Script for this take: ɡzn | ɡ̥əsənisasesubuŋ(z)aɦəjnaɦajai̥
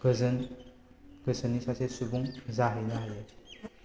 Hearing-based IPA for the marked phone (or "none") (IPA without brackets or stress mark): z